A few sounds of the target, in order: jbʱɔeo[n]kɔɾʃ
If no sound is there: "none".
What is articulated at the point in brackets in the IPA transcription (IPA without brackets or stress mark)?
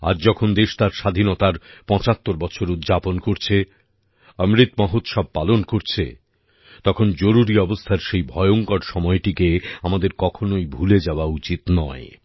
ŋ